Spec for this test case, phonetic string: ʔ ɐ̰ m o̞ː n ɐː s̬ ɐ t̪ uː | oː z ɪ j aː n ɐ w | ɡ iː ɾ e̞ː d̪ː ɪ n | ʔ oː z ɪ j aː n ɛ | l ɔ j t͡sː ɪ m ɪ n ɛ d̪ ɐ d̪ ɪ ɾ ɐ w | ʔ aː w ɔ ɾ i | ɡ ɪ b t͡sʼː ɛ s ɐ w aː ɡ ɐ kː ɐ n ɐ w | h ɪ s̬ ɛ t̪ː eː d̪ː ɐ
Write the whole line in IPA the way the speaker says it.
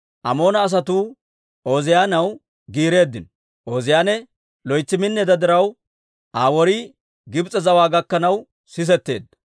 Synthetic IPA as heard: ʔ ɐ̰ m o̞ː n ɐː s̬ ɐ t̪ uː | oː z ɪ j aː n ɐ w | ɡ iː ɾ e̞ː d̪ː ɪ n | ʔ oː z ɪ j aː n ɛ | l ɔ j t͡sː ɪ m ɪ nː ɛ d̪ ɐ d̪ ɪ ɾ ɐ w | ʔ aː w ɔ ɾ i | ɡ ɪ b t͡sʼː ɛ z ɐ w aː ɡ ɐ kː ɐ n ɐ w | s ɪ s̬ ɛ t̪ː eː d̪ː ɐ